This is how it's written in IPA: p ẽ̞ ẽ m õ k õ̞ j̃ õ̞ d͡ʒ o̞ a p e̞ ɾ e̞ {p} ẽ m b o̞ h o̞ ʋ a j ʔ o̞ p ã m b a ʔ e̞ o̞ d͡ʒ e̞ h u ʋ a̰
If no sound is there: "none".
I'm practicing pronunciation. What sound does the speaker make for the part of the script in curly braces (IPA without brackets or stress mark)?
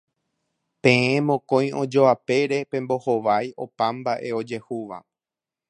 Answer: p